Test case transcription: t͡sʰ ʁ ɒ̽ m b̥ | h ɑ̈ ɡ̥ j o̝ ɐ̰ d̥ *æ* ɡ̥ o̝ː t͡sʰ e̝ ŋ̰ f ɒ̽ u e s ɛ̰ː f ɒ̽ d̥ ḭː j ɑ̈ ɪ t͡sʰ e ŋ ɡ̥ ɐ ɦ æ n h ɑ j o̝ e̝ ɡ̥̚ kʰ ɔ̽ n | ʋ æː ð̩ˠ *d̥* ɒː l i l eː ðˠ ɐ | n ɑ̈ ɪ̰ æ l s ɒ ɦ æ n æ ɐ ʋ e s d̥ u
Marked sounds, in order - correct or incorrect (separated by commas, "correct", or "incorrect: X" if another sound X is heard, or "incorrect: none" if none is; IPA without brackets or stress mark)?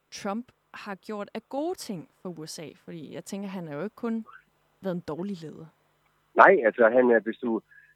correct, correct